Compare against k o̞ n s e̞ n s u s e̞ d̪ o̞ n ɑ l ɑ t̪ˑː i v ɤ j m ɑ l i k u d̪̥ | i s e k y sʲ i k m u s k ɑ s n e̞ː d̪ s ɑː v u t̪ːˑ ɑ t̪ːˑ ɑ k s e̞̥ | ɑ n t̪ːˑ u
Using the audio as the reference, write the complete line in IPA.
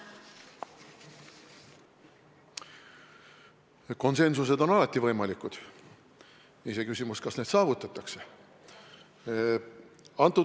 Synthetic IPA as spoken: k o̞ n s e̞ n s u s e̞ d̪ o̞ n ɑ l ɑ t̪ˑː i v ɤ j m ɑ l i k u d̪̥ | i s e k y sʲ i m u s k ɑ s n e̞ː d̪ s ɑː v u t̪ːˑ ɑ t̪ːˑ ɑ k s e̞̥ | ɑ n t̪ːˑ u